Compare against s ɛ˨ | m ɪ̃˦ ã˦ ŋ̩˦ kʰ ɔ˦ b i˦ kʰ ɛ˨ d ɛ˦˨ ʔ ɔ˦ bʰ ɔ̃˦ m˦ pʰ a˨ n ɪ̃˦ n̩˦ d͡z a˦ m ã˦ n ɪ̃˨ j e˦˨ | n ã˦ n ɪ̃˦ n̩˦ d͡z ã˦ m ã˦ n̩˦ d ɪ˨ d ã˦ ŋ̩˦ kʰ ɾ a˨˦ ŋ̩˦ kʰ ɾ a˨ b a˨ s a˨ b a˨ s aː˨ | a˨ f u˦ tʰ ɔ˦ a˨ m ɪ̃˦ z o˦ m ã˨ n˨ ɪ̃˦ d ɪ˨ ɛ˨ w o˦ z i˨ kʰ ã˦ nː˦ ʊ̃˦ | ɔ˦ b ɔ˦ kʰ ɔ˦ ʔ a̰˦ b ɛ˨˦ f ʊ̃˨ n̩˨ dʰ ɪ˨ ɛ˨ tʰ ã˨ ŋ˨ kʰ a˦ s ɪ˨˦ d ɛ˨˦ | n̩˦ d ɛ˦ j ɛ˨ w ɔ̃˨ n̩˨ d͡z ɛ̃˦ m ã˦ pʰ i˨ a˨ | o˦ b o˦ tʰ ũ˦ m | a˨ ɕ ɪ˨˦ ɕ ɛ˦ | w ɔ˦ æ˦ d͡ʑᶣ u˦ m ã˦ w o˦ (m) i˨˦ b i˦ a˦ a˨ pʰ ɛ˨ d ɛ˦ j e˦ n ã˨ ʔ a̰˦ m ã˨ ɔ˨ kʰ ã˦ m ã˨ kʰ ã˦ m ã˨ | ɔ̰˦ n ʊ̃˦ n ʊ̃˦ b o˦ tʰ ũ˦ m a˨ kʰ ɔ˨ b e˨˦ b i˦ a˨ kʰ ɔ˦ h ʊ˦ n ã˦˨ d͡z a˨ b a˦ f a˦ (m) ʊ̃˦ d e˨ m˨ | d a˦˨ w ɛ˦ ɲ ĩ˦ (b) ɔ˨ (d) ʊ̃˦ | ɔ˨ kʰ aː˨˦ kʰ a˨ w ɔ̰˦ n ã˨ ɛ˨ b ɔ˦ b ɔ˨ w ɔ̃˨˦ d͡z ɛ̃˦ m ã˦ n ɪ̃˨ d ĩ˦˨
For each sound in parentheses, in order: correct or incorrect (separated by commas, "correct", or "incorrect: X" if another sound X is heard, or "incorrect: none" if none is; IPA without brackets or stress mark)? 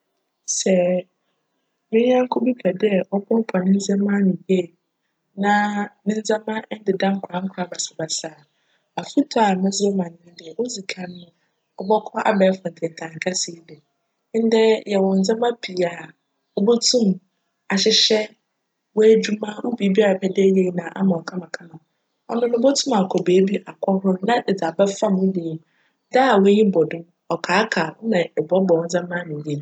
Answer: incorrect: b, correct, correct, correct